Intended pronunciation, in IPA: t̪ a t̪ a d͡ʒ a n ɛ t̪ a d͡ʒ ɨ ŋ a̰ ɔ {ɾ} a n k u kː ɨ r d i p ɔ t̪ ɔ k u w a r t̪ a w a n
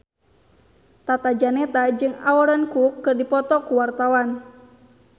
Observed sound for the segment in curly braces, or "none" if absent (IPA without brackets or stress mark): ɾ